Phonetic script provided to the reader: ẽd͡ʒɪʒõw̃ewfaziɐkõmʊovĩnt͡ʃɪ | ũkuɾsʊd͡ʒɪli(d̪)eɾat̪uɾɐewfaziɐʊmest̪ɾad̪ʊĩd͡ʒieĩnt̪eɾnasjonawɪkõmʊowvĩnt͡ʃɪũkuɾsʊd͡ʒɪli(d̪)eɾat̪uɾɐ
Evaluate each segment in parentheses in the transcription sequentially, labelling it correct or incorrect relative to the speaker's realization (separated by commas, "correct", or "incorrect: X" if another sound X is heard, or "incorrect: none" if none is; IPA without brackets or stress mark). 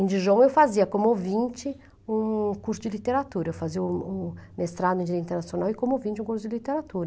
incorrect: t̪, incorrect: t̪